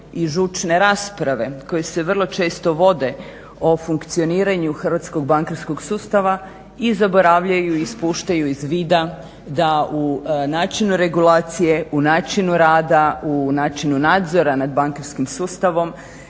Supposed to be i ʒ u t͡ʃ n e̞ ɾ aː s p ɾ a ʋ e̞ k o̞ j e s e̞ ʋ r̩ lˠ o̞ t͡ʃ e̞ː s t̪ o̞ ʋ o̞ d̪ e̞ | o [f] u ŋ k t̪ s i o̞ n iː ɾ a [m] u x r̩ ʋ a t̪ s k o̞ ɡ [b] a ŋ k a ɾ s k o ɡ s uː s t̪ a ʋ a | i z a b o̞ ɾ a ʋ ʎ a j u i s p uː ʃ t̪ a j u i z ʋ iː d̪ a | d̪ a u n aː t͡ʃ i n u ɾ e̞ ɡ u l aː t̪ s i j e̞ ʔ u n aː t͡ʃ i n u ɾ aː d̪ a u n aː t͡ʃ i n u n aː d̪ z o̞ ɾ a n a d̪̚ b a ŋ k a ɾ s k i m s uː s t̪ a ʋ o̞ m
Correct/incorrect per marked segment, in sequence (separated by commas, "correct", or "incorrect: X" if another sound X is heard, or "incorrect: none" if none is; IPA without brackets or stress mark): correct, incorrect: ɲ, correct